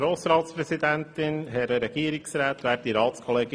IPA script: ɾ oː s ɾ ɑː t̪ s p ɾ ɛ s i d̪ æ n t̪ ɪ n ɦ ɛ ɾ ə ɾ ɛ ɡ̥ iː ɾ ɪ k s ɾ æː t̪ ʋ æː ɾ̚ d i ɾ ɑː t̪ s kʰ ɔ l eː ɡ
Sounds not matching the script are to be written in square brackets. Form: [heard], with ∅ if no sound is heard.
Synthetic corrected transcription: ɾ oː s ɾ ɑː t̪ s p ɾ ɛ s i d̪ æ n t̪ ɪ n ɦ ɛ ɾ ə ɾ ɛ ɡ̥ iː ɾ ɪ k s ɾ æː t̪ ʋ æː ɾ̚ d i ɾ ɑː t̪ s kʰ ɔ l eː ɡ